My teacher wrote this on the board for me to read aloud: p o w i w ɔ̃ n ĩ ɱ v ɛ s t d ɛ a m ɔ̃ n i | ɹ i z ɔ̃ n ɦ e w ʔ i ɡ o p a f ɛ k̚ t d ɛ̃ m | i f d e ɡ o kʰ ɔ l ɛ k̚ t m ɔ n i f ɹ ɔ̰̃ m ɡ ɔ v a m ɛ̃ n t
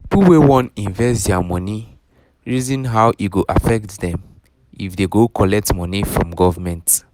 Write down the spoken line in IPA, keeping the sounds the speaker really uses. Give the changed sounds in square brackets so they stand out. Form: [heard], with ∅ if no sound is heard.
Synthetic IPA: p [u] w [e] w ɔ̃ n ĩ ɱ v ɛ s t d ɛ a m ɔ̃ n i | ɹ i z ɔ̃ n ɦ [a] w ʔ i ɡ o [ʔ] a f ɛ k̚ t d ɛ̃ m | i f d e ɡ o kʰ ɔ l ɛ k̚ t m ɔ n i f ɹ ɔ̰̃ m ɡ ɔ v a m ɛ̃ n t